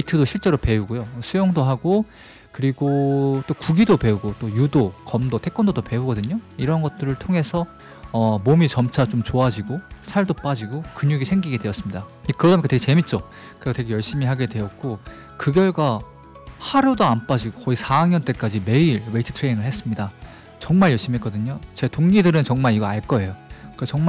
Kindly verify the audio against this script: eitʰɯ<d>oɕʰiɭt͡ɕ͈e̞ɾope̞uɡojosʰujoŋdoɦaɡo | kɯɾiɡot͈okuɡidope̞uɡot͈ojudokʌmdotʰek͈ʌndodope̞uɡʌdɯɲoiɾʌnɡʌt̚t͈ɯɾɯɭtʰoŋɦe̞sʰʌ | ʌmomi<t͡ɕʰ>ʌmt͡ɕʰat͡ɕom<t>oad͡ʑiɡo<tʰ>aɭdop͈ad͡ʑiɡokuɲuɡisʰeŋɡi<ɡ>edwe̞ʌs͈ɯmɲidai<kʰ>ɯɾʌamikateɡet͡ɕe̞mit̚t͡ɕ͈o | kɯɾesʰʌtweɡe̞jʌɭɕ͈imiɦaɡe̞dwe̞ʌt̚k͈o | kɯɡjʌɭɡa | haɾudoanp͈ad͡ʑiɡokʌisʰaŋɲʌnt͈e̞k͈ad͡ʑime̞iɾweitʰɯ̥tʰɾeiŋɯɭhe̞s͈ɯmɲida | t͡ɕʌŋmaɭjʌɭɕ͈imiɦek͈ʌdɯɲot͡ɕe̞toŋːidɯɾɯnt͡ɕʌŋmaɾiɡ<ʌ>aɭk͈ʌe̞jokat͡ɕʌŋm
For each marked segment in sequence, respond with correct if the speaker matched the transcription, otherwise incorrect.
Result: correct, incorrect: t͡ɕ, incorrect: t͡ɕ, incorrect: sʰ, correct, incorrect: k, correct

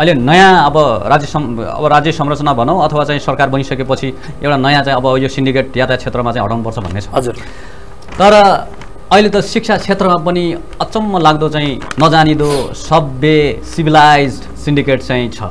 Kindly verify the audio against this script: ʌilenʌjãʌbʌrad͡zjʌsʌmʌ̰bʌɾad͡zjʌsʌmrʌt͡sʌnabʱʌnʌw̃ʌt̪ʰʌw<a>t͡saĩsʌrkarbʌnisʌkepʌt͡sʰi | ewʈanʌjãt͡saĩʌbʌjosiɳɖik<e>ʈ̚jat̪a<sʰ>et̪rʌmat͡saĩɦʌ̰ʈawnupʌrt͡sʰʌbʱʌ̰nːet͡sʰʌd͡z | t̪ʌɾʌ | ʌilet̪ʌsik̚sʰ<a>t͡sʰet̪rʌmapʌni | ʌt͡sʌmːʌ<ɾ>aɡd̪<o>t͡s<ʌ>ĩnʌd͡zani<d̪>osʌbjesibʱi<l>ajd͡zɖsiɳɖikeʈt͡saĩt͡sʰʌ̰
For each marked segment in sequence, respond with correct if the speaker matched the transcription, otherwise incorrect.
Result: correct, correct, incorrect: t͡sʰ, correct, incorrect: l, correct, incorrect: a, correct, correct

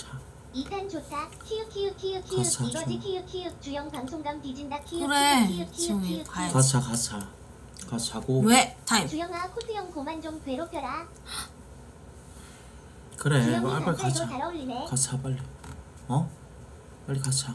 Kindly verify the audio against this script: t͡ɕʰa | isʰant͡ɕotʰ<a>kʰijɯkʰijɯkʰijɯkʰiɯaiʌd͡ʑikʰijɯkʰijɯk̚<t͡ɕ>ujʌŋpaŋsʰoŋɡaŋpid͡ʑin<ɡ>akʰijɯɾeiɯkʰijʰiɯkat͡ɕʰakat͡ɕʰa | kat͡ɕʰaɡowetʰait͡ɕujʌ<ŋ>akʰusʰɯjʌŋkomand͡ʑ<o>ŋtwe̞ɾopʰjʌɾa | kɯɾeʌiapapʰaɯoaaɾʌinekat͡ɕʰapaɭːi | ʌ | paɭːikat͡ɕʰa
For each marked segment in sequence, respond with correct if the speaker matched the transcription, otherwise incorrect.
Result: correct, correct, incorrect: d, correct, correct

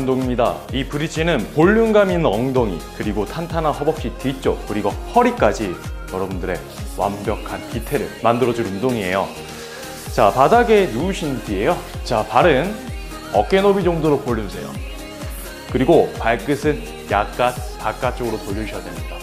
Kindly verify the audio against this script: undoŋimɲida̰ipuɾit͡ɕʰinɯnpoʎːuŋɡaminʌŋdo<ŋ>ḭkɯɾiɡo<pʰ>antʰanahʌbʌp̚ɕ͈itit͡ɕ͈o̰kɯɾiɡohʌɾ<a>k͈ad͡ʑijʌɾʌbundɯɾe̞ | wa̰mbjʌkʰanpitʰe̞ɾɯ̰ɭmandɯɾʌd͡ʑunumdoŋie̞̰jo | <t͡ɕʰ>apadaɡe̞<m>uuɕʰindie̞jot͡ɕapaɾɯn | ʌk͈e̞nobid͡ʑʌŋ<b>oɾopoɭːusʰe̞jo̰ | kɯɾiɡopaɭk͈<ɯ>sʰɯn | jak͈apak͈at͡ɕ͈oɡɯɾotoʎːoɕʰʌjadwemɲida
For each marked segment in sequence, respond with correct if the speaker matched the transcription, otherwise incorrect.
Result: correct, incorrect: tʰ, incorrect: i, incorrect: t͡ɕ, incorrect: n, incorrect: d, correct

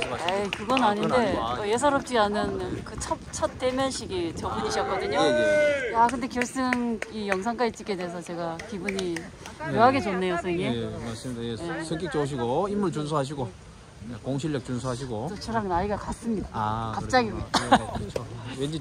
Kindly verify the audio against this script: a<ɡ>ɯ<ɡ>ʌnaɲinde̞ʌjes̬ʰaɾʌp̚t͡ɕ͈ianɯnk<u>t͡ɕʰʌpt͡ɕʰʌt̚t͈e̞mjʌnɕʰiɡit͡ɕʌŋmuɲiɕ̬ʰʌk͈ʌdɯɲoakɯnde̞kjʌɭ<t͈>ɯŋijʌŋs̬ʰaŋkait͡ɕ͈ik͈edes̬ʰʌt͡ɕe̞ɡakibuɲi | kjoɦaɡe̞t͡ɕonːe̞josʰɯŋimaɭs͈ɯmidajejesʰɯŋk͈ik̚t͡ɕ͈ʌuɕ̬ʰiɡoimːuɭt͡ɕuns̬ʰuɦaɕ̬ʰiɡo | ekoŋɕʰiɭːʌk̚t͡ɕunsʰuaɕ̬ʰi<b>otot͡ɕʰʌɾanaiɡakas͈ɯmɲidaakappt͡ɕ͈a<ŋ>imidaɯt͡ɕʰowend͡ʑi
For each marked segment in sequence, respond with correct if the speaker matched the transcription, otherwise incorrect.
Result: incorrect: k, correct, incorrect: ɯ, incorrect: s͈, incorrect: ɡ, incorrect: ɡ

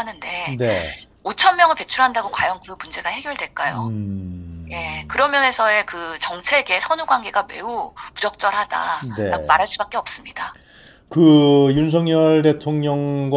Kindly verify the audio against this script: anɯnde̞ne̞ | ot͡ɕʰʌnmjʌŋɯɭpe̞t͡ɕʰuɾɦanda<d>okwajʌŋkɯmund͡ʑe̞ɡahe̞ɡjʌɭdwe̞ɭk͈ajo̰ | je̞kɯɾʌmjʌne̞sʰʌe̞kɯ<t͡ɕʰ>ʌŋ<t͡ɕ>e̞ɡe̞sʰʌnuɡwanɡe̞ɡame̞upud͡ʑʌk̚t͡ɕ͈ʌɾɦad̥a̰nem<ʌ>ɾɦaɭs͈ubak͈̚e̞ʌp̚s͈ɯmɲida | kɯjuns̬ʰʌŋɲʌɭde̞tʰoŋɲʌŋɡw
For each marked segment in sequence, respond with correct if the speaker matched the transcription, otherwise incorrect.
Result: incorrect: ɡ, incorrect: t͡ɕ, incorrect: t͡ɕʰ, incorrect: a

